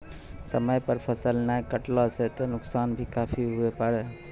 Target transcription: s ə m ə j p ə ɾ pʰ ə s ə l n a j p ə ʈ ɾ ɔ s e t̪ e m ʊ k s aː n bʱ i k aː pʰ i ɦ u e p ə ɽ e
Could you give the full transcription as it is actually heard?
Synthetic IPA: s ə m ə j p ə ɾ pʰ ə s ə l n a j k ə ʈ l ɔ s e t̪ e n ʊ k s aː n bʱ i k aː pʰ i ɦ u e p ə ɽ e